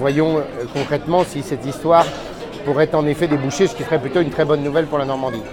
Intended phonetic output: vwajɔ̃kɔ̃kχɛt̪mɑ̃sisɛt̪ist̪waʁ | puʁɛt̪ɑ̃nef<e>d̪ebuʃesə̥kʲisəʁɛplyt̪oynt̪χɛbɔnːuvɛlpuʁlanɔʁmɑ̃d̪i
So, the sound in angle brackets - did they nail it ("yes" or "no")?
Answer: no